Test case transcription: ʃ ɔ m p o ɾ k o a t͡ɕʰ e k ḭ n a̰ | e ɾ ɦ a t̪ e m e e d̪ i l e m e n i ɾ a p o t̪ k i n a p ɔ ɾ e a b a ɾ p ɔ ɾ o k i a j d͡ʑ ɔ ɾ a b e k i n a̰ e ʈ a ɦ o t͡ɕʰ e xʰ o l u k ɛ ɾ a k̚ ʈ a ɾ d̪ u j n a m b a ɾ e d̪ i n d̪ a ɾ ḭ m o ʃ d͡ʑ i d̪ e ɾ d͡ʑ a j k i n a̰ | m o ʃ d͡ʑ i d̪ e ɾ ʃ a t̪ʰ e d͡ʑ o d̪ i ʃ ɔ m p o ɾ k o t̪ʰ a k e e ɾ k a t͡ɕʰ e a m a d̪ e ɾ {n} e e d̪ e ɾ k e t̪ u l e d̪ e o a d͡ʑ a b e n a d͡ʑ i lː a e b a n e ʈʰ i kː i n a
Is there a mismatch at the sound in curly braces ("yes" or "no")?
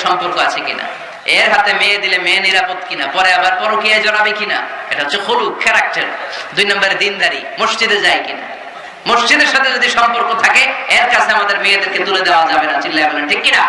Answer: yes